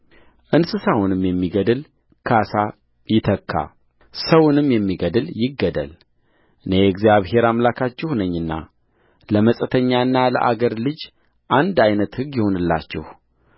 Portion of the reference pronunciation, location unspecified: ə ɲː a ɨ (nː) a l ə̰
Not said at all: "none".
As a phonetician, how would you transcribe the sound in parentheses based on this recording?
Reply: nː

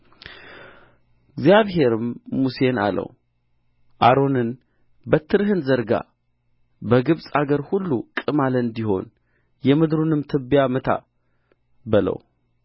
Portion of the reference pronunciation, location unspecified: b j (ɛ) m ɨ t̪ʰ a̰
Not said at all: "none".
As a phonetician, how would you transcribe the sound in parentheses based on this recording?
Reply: a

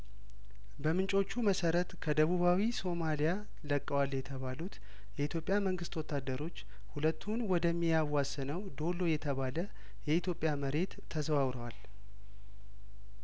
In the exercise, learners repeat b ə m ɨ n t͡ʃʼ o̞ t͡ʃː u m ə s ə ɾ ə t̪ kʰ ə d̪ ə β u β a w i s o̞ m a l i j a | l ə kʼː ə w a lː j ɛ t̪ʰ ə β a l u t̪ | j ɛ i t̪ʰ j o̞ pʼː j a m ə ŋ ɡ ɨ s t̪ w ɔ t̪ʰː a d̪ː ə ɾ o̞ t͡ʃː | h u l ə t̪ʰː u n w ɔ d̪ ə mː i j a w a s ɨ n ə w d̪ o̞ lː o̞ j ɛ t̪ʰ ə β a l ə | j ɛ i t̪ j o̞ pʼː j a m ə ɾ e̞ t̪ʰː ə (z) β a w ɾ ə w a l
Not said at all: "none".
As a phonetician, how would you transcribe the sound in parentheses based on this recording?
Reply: z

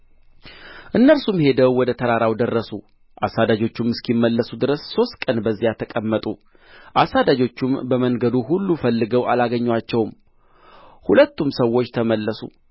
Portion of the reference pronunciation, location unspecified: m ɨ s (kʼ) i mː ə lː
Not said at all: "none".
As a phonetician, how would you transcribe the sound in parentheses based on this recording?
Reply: k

